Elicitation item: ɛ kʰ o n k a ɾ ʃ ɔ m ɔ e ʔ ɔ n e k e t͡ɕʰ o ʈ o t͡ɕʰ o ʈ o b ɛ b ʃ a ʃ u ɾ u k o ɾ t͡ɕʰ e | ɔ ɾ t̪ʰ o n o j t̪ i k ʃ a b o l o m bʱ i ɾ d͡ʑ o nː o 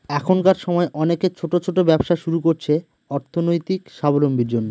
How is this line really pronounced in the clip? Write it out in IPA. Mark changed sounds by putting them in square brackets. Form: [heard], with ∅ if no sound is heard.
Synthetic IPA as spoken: ɛ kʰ o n k a ɾ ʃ ɔ m ɔ e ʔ ɔ n e k e t͡ɕʰ o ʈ o t͡ɕʰ o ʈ o b ɛ b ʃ a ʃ u ɾ u k o ɾ t͡ɕʰ e | ɔ ɾ t̪ʰ o n o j t̪ i k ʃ a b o l o m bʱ i ɾ d͡ʑ o nː o